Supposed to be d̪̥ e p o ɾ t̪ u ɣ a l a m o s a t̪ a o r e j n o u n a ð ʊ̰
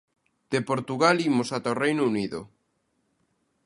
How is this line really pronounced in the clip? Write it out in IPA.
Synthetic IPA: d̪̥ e p o ɾ t̪ u ɣ a l i m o s a t̪ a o r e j n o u n i ð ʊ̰

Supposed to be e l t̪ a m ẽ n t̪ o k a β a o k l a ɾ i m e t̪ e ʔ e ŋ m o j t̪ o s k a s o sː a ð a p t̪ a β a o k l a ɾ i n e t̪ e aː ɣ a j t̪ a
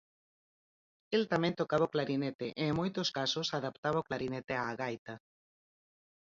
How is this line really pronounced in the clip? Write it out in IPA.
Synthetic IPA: e l t̪ a m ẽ n t̪ o k a β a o k l a ɾ i n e t̪ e ʔ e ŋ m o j t̪ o s k a s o s a ð a p t̪ a β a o k l a ɾ i n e t̪ e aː ɣ a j t̪ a

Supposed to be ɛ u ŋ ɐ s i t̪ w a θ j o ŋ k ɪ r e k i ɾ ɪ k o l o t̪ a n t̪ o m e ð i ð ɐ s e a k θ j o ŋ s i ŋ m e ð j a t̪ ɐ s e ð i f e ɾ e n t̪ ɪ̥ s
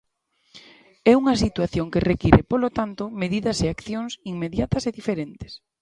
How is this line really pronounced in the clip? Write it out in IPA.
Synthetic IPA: ɛ u ŋ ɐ s i t̪ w a θ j o ŋ k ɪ r e k i ɾ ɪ p o l o t̪ a n t̪ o m e ð i ð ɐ s e a k θ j o ŋ s i ŋ m e ð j a t̪ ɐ s e ð i f e ɾ e n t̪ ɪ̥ s

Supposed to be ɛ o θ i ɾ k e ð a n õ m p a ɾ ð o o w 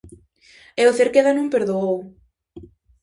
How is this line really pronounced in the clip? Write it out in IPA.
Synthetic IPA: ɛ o θ e ɾ k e ð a n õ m p e ɾ ð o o w

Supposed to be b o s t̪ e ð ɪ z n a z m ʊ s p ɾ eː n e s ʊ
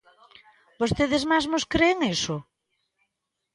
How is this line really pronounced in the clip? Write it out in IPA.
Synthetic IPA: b o s t̪ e ð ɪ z m a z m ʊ s k ɾ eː ŋ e s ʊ

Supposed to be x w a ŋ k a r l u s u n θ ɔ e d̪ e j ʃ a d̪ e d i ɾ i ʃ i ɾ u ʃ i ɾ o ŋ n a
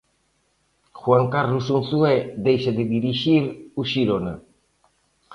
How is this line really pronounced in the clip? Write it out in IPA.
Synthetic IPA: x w a ŋ k a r l u s u n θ u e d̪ e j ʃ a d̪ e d i ɾ i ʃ i ɾ u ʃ i ɾ o n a

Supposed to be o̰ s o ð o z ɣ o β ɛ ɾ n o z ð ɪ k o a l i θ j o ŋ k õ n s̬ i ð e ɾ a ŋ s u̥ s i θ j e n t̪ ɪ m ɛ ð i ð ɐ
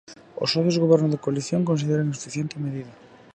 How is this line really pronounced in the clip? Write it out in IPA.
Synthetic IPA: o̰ s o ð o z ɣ o β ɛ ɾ n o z ð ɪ k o a l i θ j o ŋ k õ n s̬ i ð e ɾ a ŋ s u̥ f i θ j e n t̪ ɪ m e ð i ð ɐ

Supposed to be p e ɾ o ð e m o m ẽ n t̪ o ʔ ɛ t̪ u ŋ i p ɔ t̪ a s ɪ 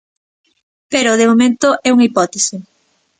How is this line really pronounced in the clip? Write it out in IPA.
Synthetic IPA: p e ɾ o ð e m o m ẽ n t̪ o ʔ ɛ u ŋ i p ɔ t̪ e s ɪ

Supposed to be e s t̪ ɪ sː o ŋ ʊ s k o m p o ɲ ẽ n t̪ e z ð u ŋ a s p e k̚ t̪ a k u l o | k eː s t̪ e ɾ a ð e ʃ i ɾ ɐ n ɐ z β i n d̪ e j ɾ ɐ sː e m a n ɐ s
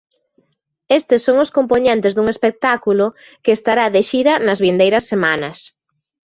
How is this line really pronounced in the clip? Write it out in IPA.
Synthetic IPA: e s t̪ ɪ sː o ŋ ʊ s k o m p o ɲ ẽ n t̪ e z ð u ŋ e s p e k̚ t̪ a k u l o | k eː s t̪ a ɾ a ð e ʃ i ɾ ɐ n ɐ z β i n d̪ e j ɾ ɐ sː e m a n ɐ s

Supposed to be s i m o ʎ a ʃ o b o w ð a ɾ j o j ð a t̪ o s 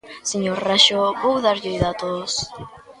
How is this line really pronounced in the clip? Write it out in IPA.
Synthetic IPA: s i ɲ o r a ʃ o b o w ð a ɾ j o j ð a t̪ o s

